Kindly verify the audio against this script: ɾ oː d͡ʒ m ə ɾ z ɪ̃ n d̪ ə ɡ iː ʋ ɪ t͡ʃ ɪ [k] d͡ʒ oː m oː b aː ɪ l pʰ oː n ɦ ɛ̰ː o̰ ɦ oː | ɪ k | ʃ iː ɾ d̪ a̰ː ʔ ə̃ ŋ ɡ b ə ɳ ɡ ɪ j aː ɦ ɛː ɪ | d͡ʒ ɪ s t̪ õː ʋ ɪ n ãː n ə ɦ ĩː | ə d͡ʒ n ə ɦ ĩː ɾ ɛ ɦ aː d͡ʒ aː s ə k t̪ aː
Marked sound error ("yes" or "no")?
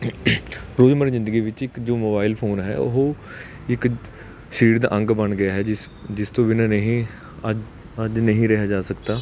no